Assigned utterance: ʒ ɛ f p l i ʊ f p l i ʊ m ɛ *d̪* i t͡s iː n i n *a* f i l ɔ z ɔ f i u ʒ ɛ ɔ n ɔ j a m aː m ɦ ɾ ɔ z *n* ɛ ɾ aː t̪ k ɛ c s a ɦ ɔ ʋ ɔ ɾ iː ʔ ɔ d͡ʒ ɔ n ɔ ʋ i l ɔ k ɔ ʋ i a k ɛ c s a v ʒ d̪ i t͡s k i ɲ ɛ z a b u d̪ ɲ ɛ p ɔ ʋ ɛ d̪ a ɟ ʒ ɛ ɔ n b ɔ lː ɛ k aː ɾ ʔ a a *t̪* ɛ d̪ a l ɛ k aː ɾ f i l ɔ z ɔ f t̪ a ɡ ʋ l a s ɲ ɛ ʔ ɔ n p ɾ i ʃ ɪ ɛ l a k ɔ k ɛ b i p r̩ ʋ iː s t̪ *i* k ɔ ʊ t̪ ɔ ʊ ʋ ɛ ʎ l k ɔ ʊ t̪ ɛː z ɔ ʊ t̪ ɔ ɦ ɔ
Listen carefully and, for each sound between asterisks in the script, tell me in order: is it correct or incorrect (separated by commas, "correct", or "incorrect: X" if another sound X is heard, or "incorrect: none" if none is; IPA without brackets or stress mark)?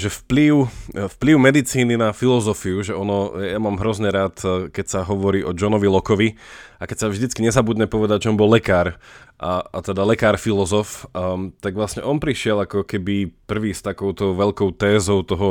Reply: correct, correct, incorrect: ɲ, correct, incorrect: a